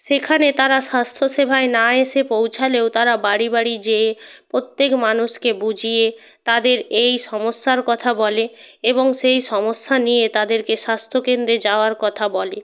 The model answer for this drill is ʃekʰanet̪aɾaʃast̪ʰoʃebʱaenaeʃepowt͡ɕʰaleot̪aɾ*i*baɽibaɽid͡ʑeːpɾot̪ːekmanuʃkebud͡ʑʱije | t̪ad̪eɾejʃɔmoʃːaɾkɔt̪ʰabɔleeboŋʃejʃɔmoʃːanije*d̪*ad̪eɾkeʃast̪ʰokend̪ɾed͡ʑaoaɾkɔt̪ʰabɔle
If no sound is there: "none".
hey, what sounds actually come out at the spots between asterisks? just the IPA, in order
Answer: a, t̪

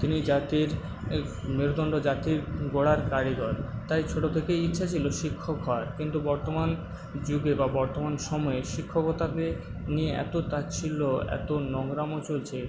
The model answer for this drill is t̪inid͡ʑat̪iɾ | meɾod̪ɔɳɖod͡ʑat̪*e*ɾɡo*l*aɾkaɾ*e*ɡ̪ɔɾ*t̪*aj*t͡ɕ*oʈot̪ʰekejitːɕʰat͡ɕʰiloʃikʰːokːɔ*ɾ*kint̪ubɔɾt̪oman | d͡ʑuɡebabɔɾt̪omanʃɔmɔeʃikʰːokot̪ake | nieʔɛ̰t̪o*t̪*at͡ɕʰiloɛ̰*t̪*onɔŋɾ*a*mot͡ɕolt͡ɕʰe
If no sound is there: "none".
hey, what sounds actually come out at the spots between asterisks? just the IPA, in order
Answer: i, ɽ, i, t̪, t͡ɕʰ, ɾ, t̪, t̪, a

